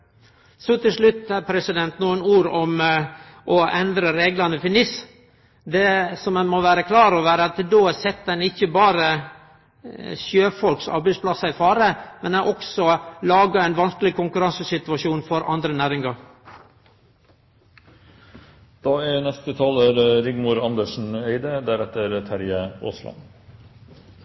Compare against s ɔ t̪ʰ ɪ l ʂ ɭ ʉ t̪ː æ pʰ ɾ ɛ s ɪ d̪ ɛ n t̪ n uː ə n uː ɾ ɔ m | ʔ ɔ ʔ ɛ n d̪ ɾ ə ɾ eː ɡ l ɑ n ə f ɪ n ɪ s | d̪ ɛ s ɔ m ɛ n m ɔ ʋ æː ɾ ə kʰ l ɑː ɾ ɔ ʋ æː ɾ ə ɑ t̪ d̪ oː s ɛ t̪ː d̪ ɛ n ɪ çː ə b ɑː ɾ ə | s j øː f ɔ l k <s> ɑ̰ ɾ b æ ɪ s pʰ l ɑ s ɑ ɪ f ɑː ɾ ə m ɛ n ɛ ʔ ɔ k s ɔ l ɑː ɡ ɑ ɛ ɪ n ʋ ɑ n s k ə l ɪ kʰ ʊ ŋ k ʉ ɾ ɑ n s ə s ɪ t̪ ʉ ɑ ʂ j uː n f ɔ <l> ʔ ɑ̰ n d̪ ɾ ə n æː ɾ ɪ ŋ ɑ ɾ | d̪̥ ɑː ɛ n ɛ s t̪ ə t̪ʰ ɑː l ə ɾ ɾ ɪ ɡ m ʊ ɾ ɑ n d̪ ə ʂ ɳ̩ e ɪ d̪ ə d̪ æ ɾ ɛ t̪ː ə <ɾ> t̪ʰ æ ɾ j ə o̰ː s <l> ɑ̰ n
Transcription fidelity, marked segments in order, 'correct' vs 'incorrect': correct, incorrect: ɾ, correct, correct

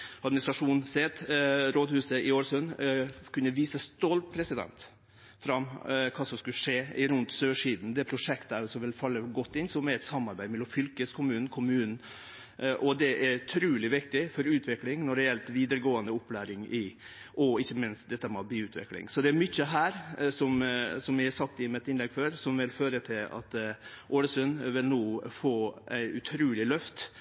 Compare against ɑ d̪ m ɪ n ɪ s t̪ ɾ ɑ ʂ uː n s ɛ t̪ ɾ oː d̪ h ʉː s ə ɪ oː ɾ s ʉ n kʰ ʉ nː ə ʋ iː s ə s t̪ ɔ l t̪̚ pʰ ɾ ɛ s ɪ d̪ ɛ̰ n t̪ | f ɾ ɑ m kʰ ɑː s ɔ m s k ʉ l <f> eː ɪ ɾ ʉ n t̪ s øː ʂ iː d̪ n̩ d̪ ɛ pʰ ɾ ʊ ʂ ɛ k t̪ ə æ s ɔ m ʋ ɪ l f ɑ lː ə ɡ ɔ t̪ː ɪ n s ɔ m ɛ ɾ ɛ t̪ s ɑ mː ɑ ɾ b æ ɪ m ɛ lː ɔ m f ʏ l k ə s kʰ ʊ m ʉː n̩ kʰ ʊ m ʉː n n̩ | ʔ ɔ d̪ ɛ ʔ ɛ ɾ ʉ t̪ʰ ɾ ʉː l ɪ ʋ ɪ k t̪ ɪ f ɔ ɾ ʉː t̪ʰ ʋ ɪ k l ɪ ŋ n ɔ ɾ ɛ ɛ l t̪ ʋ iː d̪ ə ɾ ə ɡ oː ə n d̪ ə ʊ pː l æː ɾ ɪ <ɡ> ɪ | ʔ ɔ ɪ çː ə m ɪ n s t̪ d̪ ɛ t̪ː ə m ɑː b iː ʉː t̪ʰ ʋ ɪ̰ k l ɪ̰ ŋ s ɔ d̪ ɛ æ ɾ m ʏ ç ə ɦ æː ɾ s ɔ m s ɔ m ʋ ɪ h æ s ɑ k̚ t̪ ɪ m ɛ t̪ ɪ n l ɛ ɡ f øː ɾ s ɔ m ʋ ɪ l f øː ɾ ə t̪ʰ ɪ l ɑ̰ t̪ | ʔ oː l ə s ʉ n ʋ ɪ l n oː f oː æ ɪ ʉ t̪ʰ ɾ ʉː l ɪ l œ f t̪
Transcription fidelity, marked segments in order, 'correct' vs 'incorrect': incorrect: ʂ, incorrect: ŋ

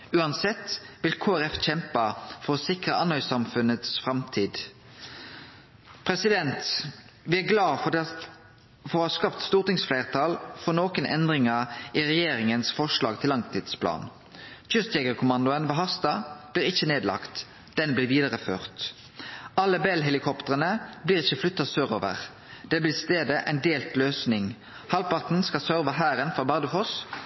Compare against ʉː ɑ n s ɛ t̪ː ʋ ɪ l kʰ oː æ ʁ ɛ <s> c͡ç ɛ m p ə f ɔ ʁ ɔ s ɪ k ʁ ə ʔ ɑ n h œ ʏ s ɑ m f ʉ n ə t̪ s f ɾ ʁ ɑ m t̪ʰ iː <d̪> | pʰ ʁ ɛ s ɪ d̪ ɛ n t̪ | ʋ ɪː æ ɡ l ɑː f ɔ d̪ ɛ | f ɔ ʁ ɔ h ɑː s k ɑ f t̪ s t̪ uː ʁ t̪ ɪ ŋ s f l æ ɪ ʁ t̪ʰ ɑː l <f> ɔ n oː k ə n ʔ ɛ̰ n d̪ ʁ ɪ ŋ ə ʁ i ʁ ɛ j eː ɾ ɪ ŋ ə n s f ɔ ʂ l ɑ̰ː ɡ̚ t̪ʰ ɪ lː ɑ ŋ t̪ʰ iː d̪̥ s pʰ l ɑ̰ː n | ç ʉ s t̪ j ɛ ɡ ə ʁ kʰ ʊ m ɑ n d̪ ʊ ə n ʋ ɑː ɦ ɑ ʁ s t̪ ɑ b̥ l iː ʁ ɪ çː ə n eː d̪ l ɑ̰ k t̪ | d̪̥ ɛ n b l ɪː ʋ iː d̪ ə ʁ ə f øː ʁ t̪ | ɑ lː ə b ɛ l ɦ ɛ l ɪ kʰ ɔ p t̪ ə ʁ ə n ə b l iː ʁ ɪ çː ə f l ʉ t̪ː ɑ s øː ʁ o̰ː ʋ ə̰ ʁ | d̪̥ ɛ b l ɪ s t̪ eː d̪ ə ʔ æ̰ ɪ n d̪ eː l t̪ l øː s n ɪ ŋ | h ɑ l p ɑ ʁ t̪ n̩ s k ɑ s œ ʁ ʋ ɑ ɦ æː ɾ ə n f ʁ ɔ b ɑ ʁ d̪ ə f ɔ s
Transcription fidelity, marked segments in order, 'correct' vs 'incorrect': incorrect: f, correct, correct

